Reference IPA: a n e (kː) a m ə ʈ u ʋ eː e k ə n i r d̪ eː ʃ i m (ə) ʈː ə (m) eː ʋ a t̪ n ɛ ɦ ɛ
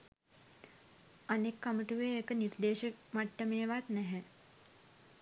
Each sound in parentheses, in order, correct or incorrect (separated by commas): correct, incorrect, correct